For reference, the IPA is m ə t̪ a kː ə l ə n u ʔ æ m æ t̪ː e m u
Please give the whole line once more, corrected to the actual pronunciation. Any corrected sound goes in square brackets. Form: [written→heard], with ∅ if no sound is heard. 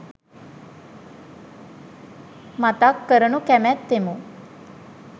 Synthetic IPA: m [ə→a] t̪ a kː ə [l→ɾ] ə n u [ʔ→k] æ m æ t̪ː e m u